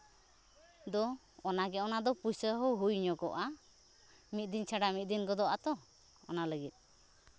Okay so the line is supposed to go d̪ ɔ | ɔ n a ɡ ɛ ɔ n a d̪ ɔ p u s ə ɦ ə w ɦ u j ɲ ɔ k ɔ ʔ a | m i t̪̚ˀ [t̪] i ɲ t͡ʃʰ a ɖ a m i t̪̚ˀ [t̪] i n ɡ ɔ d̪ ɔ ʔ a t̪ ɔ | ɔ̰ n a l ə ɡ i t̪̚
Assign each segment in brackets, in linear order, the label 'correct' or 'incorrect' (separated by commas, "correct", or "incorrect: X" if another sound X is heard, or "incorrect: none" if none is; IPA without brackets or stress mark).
incorrect: d̪, incorrect: d̪